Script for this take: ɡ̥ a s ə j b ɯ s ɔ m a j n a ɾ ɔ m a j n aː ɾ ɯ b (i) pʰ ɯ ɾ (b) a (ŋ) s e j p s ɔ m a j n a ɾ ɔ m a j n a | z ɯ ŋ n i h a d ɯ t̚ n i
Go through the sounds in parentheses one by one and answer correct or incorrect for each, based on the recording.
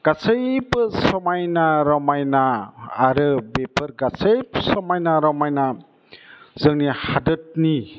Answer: incorrect, incorrect, incorrect

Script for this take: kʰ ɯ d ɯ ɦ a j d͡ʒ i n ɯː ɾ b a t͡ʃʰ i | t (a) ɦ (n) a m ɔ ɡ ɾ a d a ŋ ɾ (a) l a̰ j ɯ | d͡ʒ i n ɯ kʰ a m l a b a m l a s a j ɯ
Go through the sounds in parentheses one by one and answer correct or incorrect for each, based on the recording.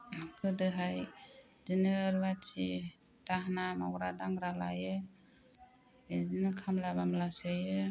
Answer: correct, correct, correct

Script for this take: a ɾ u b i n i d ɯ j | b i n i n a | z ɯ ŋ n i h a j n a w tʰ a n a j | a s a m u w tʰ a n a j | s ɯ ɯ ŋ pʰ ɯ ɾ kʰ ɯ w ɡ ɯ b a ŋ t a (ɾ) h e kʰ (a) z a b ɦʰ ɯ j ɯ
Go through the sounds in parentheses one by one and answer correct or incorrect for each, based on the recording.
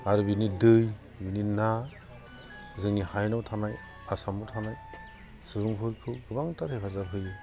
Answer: correct, correct

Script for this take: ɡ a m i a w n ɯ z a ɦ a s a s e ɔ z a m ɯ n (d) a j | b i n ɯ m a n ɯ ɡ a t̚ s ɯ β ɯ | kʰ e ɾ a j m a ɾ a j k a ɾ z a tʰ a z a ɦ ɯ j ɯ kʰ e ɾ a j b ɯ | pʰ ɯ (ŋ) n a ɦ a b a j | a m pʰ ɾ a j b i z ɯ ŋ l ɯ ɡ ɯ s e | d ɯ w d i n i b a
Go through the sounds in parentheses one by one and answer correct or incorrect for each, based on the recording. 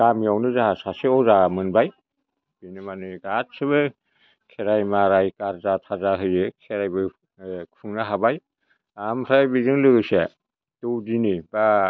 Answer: incorrect, correct

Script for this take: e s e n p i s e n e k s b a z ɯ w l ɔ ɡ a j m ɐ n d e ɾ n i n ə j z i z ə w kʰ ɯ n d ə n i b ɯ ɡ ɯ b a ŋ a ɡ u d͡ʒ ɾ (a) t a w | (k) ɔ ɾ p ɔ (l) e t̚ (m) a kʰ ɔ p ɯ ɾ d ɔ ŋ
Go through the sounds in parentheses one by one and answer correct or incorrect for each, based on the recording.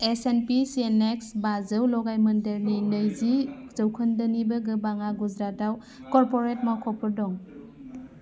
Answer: correct, correct, incorrect, correct

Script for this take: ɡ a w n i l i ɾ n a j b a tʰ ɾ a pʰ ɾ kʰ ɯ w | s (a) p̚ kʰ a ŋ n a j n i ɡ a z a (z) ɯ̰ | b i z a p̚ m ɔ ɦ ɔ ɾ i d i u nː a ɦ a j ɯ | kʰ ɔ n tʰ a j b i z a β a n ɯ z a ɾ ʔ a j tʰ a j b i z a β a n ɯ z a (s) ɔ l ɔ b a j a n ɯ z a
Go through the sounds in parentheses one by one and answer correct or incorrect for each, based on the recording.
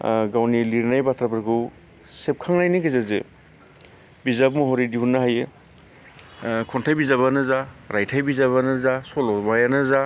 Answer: incorrect, correct, correct

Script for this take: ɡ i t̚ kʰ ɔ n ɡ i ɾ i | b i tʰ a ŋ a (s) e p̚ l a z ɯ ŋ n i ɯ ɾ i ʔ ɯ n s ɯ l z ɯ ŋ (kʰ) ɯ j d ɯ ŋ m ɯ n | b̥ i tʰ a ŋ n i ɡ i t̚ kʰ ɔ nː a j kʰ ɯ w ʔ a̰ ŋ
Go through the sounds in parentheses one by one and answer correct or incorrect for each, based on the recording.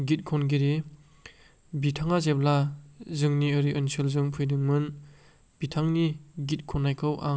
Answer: incorrect, incorrect

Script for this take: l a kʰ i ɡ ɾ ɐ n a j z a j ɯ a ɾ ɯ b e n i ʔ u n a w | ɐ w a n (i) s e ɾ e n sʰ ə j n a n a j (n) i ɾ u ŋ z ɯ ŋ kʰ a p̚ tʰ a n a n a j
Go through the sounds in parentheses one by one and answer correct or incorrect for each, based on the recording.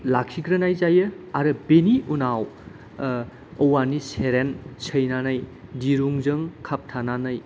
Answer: correct, incorrect

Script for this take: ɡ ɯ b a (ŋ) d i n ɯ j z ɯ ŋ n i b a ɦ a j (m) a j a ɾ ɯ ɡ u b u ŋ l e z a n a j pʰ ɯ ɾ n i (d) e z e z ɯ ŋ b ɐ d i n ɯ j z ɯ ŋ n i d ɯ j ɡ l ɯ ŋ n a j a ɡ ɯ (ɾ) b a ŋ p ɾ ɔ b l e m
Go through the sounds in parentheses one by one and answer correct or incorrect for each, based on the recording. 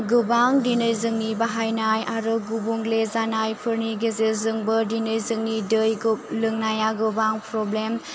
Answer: correct, incorrect, incorrect, incorrect

